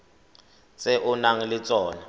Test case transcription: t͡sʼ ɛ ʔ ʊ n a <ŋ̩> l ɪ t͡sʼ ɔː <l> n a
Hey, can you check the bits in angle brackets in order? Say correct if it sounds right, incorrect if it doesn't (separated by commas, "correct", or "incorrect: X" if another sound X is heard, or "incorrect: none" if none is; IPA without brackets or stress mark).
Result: correct, incorrect: none